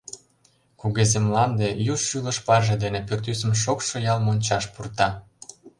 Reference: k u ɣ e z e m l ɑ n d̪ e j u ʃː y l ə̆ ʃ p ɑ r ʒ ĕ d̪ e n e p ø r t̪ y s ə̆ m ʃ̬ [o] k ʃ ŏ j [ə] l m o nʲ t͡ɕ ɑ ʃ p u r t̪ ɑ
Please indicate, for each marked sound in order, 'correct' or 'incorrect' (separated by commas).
correct, incorrect